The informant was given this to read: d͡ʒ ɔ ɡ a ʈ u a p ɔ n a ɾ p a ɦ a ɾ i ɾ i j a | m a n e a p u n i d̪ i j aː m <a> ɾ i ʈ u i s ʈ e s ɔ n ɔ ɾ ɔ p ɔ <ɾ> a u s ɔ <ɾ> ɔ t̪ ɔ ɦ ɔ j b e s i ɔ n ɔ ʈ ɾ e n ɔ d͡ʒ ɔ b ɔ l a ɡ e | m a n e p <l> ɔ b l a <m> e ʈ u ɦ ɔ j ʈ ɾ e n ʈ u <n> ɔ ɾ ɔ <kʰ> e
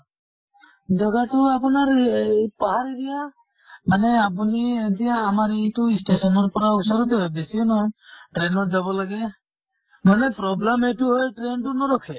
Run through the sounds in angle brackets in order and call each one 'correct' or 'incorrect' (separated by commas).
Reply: correct, correct, correct, incorrect, correct, correct, correct